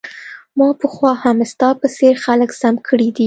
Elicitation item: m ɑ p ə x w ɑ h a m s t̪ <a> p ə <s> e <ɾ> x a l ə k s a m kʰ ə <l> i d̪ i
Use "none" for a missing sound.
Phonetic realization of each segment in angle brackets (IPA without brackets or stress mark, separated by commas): ɑ, s, ɾ, ɽ